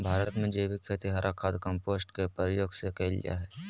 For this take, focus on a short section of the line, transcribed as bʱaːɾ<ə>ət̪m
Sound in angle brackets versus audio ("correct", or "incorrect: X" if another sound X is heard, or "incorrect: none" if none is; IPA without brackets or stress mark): correct